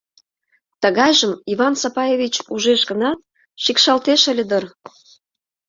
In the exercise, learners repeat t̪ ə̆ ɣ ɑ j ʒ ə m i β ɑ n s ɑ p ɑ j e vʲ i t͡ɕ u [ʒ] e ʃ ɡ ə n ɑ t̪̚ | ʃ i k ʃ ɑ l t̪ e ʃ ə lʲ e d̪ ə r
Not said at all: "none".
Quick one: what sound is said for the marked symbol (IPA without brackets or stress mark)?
ʒ